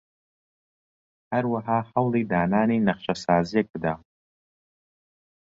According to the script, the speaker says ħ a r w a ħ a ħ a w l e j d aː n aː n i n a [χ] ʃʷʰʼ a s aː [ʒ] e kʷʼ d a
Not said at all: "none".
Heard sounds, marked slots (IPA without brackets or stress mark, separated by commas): χ, z